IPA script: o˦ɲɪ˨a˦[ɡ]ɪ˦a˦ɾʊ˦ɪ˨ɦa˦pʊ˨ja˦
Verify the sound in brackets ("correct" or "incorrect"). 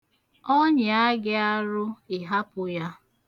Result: correct